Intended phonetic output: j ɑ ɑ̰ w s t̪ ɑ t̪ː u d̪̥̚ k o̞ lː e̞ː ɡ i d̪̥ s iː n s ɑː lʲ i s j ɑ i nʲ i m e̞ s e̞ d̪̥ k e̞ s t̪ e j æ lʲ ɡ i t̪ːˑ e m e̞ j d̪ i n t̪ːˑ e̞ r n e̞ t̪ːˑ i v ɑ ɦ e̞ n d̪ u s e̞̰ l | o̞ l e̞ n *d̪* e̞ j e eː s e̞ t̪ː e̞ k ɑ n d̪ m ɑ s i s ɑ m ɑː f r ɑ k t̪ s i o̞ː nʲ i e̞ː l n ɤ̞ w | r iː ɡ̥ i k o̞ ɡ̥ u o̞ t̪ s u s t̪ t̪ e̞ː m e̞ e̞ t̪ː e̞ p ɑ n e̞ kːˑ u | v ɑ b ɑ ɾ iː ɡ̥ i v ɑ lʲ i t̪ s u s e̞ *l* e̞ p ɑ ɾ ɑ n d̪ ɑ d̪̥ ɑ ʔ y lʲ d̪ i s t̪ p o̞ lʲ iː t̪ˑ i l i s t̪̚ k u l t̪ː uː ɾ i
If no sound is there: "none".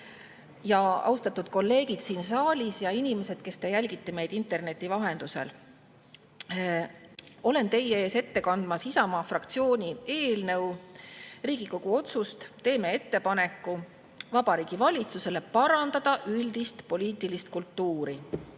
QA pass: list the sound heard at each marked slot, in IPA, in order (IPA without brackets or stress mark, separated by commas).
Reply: t̪, l